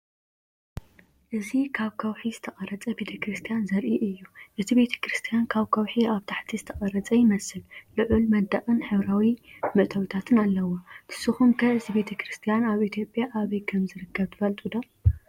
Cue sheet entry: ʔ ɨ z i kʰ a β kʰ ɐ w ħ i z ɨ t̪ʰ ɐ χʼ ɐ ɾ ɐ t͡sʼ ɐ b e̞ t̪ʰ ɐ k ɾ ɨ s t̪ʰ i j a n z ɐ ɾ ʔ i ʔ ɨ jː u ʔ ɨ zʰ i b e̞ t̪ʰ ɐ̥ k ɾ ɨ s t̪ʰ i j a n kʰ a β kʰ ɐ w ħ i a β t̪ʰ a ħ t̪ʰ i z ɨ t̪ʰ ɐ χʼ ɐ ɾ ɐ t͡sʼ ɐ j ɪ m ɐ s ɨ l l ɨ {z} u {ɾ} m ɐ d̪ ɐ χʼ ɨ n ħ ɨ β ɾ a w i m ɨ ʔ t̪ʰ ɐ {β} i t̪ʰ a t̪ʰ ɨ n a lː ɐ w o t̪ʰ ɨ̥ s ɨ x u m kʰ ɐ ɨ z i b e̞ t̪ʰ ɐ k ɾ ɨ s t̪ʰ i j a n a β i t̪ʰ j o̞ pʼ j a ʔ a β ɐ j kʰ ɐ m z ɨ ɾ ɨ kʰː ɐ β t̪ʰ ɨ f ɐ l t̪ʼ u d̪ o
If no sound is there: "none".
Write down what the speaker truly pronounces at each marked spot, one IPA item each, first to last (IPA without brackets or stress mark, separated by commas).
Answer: ʕ, l, w